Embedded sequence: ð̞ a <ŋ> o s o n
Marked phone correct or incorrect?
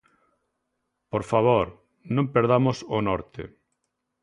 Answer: incorrect